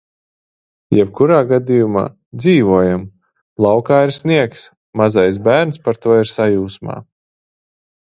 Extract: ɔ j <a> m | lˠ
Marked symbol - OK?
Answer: yes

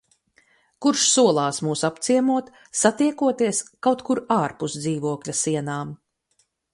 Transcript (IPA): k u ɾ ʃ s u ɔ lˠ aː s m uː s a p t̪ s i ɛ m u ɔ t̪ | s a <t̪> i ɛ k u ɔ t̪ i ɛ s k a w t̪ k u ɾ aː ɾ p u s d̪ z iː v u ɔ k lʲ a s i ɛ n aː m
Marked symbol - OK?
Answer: yes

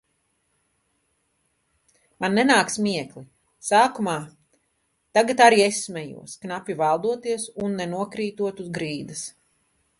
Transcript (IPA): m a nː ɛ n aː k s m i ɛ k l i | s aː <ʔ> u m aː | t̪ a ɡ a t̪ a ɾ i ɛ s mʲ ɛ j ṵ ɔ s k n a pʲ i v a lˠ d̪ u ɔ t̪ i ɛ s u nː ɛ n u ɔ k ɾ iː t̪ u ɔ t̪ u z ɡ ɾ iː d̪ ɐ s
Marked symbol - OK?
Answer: no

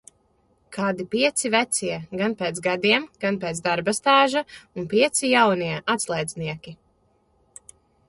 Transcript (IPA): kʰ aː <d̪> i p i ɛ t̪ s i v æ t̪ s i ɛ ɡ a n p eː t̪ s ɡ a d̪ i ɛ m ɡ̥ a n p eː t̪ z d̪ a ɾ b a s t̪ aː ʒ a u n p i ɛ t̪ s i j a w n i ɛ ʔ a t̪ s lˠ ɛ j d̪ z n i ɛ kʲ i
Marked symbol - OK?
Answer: yes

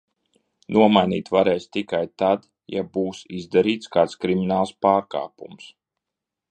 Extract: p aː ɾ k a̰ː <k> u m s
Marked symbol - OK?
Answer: no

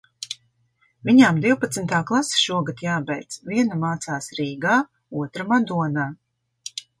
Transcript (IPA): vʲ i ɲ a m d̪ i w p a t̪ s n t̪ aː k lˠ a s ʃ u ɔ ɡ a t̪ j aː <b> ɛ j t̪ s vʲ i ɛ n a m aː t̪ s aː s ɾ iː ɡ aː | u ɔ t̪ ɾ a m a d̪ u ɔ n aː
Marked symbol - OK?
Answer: yes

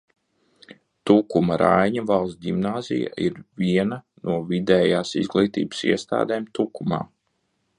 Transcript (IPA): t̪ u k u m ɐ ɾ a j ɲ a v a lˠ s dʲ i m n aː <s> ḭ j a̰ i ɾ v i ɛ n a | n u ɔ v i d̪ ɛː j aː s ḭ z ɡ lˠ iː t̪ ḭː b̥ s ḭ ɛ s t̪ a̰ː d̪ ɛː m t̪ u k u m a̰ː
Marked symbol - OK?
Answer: no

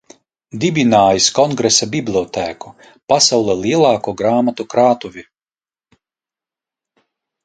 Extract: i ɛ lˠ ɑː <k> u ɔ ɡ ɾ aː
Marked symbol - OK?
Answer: yes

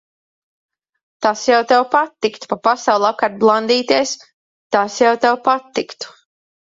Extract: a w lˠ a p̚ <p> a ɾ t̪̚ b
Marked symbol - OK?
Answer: no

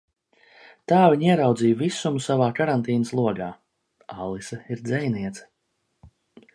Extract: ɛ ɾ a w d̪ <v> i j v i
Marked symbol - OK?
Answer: no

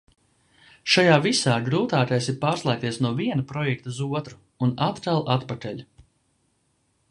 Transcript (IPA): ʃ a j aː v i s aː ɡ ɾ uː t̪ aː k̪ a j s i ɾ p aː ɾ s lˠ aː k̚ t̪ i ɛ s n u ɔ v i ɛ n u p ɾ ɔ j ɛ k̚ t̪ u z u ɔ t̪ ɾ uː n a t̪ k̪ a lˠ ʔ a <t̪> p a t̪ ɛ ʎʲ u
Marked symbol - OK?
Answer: yes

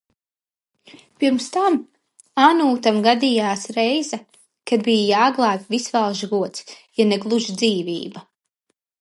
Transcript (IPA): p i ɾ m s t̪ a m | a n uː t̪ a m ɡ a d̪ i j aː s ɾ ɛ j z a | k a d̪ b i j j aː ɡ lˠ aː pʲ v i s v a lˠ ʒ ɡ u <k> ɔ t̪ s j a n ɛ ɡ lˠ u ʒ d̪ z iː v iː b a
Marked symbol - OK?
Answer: no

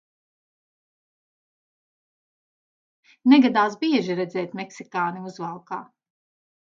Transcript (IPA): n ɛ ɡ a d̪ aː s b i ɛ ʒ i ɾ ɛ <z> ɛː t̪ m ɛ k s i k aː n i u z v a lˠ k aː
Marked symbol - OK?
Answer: yes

